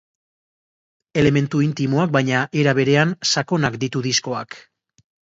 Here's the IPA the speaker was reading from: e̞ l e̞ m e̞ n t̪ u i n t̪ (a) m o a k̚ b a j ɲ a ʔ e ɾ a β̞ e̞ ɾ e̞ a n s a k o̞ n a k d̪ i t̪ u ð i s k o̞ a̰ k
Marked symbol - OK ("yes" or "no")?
no